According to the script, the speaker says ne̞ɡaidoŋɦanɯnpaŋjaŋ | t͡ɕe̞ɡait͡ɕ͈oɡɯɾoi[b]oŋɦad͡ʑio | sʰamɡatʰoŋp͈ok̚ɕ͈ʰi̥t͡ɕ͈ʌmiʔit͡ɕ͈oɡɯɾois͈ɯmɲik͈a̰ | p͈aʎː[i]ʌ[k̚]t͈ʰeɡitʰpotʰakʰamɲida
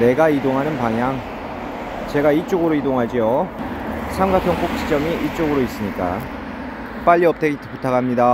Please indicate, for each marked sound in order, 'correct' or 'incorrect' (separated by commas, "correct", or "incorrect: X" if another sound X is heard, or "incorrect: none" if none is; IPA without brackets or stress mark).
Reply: incorrect: d, correct, incorrect: p̚